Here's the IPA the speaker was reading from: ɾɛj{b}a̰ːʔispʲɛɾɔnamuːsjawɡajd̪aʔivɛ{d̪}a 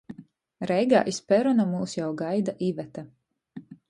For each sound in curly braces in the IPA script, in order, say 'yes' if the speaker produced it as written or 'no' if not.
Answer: no, no

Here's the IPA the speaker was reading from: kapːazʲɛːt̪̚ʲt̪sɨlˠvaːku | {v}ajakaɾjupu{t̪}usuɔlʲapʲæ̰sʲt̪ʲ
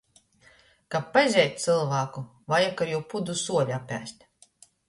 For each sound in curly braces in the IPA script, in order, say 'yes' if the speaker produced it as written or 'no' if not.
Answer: yes, no

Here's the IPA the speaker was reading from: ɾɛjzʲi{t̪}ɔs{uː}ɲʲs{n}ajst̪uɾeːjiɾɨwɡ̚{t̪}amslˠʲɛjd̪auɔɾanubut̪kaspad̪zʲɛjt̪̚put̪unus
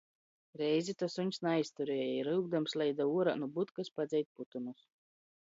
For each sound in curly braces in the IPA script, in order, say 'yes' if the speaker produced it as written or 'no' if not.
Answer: yes, no, yes, no

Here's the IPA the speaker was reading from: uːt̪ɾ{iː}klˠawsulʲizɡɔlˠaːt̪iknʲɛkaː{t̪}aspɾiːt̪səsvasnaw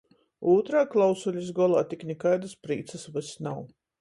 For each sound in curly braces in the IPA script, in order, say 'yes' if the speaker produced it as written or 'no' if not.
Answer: no, no

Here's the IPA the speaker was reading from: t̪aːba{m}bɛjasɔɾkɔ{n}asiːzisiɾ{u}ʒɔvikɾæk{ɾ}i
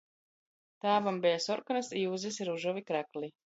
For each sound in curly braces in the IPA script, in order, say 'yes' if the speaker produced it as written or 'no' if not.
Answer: yes, yes, yes, no

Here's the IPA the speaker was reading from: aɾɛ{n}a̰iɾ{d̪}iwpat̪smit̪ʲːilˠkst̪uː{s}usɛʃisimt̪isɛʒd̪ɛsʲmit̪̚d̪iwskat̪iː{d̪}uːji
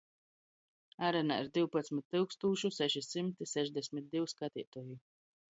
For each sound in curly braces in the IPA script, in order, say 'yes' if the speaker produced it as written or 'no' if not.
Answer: yes, yes, no, no

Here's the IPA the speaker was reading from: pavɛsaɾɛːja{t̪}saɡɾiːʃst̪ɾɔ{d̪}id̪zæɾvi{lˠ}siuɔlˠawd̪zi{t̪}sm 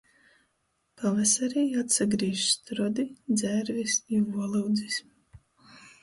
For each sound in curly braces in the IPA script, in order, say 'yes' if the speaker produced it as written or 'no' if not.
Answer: yes, yes, no, no

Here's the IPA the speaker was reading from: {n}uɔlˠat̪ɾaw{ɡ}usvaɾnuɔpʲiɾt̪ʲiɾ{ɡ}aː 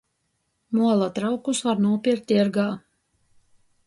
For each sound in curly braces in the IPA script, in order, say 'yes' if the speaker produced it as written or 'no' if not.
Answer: no, no, yes

